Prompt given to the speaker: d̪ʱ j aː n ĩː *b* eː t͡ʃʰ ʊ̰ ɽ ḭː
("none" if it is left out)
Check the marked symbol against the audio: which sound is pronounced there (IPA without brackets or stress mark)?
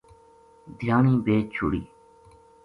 b